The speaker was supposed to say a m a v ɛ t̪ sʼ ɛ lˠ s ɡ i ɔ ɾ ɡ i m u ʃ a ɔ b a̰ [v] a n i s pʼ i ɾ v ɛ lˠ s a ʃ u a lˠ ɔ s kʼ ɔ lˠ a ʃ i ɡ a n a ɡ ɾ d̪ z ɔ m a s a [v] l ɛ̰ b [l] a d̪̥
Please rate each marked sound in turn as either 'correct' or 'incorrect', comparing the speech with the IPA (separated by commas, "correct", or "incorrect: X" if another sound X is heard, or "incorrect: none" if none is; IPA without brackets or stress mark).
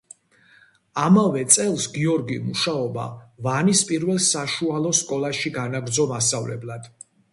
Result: correct, correct, correct